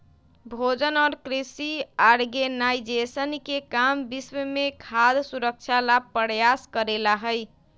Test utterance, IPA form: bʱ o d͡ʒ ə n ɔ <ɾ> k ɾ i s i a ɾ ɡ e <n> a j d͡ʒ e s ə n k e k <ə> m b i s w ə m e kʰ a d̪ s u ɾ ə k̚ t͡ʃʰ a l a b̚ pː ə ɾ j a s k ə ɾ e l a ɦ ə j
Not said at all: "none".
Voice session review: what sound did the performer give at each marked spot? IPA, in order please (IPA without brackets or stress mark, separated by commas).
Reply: ɾ, n, a